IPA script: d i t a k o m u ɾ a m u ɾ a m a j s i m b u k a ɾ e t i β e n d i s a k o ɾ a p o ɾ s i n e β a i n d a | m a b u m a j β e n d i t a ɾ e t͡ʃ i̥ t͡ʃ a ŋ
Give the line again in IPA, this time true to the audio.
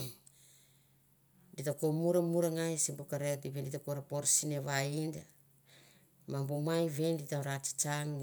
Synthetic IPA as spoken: d i t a k o m u ɾ a m u ɾ a ŋ a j s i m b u k a ɾ e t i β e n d i t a k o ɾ a p o ɾ s i n e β a i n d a | m a b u m a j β e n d i t a ɾ a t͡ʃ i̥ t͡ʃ a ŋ